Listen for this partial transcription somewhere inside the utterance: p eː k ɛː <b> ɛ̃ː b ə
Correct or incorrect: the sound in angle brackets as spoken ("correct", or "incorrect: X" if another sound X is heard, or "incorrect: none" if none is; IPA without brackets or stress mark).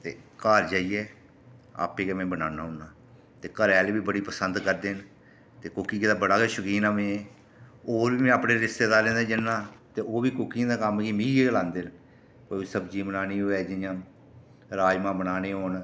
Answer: incorrect: m